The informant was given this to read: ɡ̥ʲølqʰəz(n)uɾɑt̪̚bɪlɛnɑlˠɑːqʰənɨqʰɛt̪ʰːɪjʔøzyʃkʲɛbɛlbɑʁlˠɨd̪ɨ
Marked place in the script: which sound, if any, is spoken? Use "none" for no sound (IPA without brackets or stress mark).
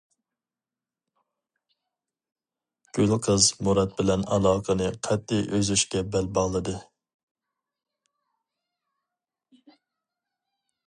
m